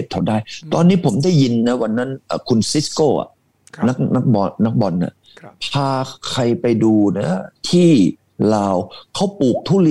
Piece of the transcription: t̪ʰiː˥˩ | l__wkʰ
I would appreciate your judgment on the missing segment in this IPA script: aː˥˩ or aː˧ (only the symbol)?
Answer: aː˧